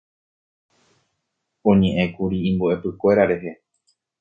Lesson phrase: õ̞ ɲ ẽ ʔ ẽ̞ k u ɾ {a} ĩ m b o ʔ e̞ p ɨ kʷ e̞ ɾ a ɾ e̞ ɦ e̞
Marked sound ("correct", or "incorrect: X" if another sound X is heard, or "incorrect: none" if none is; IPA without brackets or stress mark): incorrect: i